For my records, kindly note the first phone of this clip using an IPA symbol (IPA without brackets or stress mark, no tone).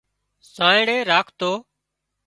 s